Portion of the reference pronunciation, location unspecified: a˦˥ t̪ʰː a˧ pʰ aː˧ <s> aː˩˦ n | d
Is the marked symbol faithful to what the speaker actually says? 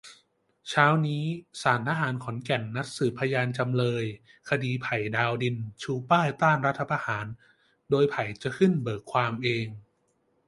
no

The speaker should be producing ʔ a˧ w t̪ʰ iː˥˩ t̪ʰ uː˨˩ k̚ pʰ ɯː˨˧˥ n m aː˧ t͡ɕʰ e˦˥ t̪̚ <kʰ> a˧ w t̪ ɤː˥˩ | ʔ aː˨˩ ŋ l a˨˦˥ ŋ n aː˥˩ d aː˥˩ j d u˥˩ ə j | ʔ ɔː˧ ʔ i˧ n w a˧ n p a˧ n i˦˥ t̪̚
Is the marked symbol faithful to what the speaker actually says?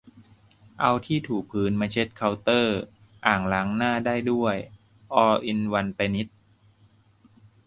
yes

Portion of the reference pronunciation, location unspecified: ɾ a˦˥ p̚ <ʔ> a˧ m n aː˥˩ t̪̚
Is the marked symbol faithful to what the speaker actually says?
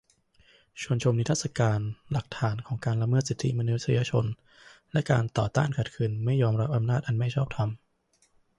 yes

